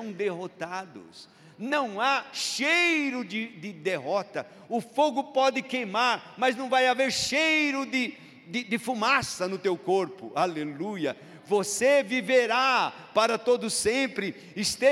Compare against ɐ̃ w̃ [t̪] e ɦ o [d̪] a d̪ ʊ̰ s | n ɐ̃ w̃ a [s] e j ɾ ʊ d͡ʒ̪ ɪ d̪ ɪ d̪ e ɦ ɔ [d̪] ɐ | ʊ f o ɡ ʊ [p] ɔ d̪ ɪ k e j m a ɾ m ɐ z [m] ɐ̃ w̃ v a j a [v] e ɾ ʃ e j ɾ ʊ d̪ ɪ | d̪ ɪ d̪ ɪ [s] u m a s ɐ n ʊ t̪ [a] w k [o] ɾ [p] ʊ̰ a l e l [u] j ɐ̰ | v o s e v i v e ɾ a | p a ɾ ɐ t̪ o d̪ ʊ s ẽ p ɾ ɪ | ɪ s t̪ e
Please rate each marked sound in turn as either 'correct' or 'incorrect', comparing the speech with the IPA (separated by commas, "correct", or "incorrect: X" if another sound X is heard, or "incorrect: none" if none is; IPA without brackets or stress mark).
incorrect: d̪, incorrect: t̪, incorrect: ʃ, incorrect: t̪, correct, incorrect: n, correct, incorrect: f, incorrect: e, correct, correct, correct